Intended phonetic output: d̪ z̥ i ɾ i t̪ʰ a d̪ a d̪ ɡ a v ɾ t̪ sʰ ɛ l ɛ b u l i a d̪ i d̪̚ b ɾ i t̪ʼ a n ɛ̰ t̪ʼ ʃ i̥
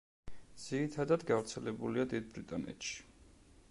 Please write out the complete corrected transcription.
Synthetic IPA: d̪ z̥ i ɾ i t̪ʰ a d̪ a d̪ ɡ a v ɾ t̪ sʰ ɛ l ɛ b u l i a d̪ i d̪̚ b ɾ i t̪ʼ a n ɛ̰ t̪ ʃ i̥